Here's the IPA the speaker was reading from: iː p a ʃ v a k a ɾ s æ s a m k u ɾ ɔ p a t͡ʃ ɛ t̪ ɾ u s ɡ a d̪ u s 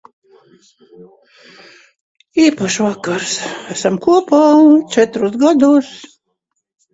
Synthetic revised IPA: iː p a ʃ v a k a ɾ s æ s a m k u ɔ p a t͡ʃ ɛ t̪ ɾ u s ɡ a d̪ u s

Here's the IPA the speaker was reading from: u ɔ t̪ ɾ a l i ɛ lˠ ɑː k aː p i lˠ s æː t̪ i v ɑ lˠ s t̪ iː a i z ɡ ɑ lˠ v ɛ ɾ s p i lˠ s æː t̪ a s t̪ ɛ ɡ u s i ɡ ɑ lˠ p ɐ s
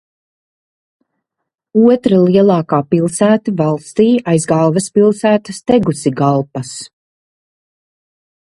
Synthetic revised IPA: u ɔ t̪ ɾ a l i ɛ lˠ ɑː k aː p i lˠ s æː t̪ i v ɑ lˠ s t̪ iː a j z ɡ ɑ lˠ v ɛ s p i lˠ s æː t̪ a s t̪ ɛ ɡ u s i ɡ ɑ lˠ p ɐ s

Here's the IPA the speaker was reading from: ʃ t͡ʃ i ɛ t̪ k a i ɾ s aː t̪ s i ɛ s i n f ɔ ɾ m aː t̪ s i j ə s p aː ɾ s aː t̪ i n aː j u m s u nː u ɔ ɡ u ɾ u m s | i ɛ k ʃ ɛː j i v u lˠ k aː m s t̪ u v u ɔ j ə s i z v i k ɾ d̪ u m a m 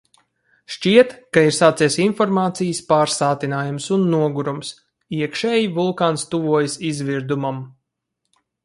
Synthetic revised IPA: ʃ t͡ʃ i ɛ t̪ k a i ɾ s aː t̪ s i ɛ s i n f ɔ ɾ m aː t̪ s i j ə s p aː ɾ s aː t̪ i n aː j u m s u nː u ɔ ɡ u ɾ u m s | i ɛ k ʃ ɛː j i v u lˠ k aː n s t̪ u v u ɔ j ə s i z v i ɾ d̪ u m a m

